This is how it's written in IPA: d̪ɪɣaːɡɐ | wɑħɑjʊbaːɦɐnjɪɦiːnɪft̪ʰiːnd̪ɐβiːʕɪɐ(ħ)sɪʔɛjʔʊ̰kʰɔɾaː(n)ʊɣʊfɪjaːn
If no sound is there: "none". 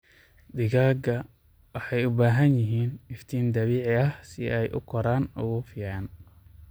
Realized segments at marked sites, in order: h, n

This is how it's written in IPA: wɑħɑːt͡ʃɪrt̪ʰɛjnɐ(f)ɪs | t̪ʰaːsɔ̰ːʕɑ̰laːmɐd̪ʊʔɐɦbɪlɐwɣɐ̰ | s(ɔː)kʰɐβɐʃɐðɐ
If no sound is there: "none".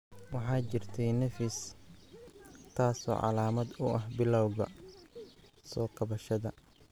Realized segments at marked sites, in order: f, ɔː

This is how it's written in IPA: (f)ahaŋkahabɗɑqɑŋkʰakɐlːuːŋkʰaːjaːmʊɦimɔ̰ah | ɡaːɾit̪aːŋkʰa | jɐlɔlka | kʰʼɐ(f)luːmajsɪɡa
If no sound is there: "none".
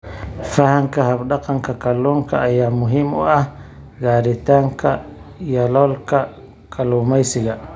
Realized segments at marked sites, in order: f, none

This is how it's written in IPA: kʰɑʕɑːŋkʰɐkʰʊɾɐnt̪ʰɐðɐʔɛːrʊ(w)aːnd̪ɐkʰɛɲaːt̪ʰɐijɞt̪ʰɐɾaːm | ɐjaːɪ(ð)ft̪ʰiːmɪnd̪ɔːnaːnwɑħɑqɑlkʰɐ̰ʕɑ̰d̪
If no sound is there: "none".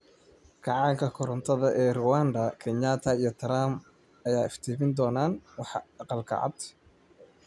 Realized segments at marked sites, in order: w, none

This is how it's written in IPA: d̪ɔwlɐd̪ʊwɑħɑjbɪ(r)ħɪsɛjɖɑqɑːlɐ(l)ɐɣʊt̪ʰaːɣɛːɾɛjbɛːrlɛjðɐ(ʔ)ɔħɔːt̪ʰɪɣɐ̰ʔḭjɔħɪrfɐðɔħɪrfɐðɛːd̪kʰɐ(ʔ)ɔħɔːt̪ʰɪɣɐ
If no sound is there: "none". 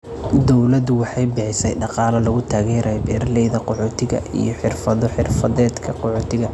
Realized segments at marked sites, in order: none, l, q, q

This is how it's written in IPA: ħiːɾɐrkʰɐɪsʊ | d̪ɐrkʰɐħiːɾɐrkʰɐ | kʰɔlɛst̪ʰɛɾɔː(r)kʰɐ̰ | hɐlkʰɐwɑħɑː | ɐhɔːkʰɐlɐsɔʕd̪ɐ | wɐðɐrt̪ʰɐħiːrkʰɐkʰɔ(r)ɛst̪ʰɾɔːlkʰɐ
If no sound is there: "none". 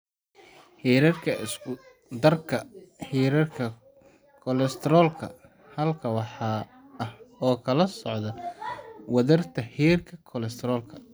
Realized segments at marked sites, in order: l, l

